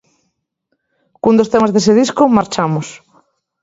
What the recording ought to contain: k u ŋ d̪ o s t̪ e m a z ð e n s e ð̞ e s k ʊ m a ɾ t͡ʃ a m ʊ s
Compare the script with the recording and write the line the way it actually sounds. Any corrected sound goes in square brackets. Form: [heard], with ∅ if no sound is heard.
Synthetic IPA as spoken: k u [n] d̪ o s t̪ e m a z ð e [∅] s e ð̞ [i] s k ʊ m a ɾ t͡ʃ a m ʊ s